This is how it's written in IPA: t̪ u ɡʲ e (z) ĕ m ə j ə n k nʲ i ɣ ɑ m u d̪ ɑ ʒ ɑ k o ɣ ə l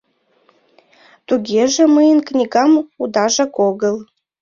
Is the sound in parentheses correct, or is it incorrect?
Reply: incorrect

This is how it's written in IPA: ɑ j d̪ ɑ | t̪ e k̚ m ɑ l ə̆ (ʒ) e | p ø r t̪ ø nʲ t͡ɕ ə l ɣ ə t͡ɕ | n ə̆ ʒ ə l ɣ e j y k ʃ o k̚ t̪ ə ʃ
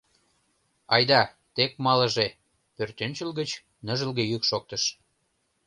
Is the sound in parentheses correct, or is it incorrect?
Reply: correct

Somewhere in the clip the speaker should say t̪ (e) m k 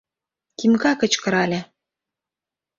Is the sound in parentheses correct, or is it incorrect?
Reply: incorrect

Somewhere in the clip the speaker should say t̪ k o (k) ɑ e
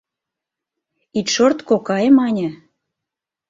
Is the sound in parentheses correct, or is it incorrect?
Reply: correct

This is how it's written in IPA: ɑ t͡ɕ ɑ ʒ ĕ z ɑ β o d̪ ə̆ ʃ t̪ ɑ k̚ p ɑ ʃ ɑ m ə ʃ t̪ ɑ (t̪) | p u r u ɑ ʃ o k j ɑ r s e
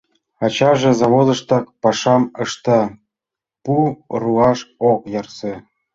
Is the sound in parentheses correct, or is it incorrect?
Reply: incorrect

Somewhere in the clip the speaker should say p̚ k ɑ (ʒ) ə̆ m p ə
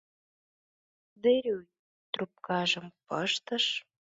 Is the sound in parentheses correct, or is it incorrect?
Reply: correct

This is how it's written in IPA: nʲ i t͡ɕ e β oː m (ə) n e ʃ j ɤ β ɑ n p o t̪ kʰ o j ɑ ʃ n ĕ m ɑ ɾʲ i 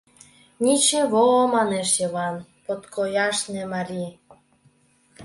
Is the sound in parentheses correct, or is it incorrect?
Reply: incorrect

